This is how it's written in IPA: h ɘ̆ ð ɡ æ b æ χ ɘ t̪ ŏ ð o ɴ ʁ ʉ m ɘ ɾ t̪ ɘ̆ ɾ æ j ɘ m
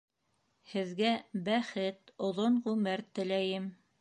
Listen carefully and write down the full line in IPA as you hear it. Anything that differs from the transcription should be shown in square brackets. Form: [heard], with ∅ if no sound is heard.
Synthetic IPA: h ɘ̆ ð ɡ æ b æ χ ɘ t̪ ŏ ð o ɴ ʁ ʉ m ɘ ɾ t̪ ɘ̆ [l] æ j ɘ m